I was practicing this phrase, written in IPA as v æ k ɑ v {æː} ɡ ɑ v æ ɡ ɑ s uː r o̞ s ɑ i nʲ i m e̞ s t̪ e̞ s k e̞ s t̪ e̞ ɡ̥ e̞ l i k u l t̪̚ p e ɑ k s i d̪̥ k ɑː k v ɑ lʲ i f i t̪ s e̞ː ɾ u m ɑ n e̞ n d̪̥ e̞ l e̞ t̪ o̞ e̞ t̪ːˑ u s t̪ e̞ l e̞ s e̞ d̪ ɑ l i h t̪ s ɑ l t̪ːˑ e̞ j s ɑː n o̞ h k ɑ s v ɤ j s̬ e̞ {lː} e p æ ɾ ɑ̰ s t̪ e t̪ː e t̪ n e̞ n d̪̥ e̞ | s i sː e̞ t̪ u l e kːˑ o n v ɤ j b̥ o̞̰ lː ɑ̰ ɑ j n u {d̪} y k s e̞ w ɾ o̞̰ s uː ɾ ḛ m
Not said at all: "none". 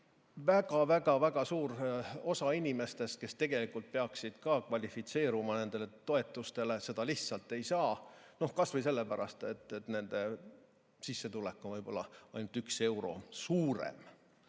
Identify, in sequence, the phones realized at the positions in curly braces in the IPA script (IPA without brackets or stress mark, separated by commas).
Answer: æ, lː, t̪